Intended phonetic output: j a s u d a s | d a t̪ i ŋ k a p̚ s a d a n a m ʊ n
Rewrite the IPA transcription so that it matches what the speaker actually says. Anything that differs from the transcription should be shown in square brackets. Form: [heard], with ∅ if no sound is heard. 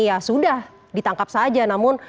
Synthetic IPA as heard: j a s u d a [h] | d [i] t̪ [a] ŋ k a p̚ s a [d͡ʒ] a n a m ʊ n